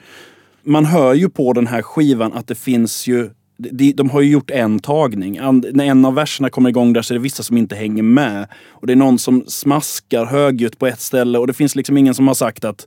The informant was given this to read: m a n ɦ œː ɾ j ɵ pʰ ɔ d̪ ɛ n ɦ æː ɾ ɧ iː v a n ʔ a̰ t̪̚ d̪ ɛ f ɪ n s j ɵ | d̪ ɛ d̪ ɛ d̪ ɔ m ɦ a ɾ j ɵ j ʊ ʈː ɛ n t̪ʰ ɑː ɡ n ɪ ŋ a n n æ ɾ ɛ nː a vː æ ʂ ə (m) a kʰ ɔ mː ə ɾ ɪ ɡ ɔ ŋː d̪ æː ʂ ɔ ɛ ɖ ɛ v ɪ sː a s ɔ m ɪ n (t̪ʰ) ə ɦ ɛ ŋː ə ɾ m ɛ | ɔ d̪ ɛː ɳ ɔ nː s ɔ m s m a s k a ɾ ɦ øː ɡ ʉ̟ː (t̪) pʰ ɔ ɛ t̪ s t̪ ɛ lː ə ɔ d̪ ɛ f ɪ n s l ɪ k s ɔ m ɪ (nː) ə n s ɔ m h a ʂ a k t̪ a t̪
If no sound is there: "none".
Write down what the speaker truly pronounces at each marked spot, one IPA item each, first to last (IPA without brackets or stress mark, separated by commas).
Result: ɳ, t̪, t̪, ŋː